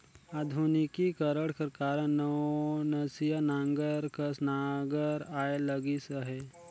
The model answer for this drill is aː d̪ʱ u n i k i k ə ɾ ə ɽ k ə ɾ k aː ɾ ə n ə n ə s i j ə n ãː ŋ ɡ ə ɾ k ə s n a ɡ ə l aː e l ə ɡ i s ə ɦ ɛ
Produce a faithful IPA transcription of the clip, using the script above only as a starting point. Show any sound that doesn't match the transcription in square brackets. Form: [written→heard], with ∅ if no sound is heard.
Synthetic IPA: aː d̪ʱ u n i k i k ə ɾ ə ɽ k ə ɾ k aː ɾ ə n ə n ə s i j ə n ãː ŋ ɡ ə ɾ k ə s n a ɡ ə [l→ɾ] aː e l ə ɡ i s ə ɦ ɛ